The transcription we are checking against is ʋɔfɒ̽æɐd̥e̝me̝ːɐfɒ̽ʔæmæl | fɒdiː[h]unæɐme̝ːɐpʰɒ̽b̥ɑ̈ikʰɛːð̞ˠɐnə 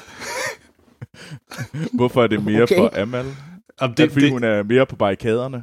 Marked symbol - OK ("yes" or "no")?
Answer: yes